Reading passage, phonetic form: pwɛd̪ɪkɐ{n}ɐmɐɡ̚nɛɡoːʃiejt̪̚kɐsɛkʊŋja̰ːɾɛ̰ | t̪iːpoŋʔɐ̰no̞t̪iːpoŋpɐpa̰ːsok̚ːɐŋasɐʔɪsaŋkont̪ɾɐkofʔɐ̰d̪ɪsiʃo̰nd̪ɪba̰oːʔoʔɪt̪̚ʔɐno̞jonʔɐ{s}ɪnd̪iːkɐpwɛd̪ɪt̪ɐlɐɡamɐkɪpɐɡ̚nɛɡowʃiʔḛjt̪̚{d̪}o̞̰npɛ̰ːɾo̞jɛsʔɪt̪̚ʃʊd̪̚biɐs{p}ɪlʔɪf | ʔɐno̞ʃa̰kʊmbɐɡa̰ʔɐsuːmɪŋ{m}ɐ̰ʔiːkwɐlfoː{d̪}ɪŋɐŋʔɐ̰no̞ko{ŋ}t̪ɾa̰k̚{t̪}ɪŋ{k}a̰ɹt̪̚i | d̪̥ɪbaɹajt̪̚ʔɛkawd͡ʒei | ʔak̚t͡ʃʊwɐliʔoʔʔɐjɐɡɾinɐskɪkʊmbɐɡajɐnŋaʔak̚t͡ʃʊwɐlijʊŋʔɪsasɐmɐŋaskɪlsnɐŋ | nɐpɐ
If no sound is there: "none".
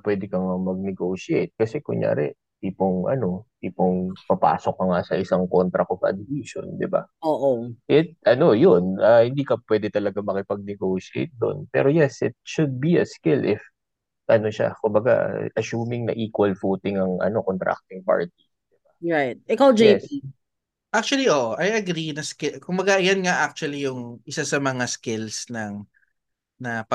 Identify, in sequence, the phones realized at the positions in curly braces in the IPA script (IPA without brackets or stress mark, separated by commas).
ŋ, h, d̪, k, n, t̪, n, t̪, p